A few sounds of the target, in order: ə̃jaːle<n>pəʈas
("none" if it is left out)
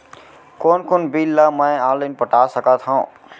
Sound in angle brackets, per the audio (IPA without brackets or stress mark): n